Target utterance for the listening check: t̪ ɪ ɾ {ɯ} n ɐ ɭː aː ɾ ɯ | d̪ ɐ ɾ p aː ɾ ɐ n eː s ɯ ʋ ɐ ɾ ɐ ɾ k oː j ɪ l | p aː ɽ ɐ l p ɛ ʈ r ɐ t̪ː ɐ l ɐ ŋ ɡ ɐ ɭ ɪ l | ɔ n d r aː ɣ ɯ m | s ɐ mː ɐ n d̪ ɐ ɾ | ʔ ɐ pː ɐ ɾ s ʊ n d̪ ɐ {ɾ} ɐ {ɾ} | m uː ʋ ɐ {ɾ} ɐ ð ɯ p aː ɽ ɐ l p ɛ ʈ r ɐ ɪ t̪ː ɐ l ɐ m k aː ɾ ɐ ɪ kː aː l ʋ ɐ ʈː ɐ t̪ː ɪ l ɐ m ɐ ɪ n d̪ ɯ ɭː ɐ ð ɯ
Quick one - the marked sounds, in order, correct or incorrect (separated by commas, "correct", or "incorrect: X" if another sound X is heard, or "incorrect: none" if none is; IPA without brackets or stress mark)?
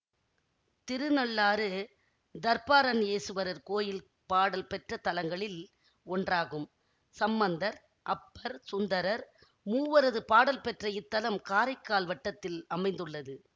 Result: correct, correct, correct, correct